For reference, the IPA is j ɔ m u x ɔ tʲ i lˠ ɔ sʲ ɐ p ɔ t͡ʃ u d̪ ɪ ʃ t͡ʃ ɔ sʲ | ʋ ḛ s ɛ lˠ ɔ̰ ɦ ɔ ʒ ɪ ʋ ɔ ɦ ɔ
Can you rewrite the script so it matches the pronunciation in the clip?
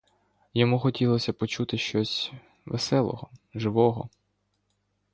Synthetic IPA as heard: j ɔ m u x ɔ tʲ i lˠ ɔ sʲ ɐ p ɔ t͡ʃ u t̪ ɪ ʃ t͡ʃ ɔ sʲ | ʋ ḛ s ɛ lˠ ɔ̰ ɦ ɔ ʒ ɪ ʋ ɔ ɦ ɔ